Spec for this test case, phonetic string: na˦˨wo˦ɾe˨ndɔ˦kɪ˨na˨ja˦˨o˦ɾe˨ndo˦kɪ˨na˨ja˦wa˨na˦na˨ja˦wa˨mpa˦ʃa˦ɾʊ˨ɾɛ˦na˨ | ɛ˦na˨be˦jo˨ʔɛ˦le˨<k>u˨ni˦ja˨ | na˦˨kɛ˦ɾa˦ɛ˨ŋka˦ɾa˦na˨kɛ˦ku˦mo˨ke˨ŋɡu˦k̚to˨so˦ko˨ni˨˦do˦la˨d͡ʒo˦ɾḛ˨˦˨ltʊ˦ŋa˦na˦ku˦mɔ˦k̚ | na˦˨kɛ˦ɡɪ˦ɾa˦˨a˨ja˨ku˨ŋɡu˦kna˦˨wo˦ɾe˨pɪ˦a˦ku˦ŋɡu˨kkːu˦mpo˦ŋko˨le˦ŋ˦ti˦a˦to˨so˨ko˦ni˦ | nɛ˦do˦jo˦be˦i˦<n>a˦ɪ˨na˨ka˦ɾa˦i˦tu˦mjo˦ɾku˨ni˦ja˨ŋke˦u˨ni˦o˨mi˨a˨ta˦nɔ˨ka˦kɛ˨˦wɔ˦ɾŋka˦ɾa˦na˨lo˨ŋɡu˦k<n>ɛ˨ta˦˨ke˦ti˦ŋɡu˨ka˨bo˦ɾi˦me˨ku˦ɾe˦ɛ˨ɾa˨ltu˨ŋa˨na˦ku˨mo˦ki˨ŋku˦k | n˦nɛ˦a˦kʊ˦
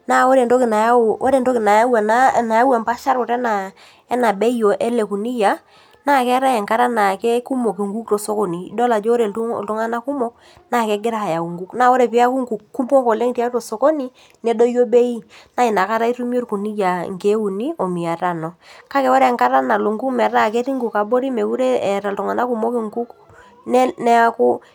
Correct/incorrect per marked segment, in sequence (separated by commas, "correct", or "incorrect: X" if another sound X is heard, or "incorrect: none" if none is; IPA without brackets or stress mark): correct, correct, incorrect: m